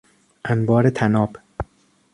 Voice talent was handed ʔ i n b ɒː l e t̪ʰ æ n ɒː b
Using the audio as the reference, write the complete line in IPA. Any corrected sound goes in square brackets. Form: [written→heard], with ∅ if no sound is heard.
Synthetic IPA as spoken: ʔ [i→æ] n b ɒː [l→ɾ] e t̪ʰ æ n ɒː b